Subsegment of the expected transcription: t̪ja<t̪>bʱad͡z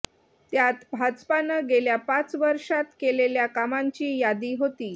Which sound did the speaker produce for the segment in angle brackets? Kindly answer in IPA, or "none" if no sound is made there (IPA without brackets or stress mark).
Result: t̪